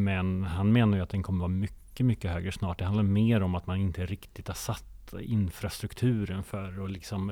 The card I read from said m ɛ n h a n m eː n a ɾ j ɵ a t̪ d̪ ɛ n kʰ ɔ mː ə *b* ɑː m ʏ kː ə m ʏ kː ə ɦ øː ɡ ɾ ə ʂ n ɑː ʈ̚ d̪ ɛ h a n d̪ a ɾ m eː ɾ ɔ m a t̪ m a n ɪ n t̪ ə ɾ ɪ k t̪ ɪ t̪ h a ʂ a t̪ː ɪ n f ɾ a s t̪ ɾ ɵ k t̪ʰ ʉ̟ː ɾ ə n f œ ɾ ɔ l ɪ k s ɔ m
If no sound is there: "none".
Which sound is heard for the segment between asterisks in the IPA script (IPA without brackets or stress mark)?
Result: v